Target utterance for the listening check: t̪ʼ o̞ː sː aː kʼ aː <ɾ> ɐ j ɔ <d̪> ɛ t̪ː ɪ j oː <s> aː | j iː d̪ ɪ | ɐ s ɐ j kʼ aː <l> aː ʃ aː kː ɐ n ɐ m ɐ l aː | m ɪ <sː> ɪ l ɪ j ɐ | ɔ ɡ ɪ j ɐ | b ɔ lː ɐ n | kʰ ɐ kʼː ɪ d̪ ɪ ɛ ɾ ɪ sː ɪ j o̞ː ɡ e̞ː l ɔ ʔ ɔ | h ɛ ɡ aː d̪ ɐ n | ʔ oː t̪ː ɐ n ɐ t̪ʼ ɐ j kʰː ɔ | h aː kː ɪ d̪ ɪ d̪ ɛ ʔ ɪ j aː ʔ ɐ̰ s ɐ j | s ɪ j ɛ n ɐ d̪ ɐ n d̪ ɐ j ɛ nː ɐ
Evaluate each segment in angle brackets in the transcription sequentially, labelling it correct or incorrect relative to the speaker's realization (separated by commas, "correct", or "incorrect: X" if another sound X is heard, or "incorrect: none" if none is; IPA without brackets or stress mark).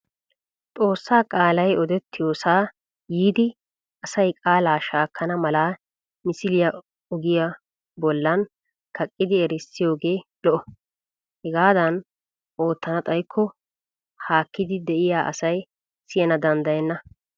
incorrect: l, correct, correct, correct, incorrect: s